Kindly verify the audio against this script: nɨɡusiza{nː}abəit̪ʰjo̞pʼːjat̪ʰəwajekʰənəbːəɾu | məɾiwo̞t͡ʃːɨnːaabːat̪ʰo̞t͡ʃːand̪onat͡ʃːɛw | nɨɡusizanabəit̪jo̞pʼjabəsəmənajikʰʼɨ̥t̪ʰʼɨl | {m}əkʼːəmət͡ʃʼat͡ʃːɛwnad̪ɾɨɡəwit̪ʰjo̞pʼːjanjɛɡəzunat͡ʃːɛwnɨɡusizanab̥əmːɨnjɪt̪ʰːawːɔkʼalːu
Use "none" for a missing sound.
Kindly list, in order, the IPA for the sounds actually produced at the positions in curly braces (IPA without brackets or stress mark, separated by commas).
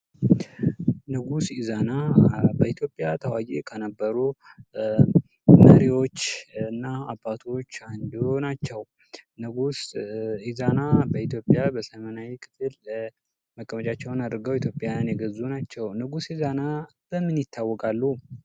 n, m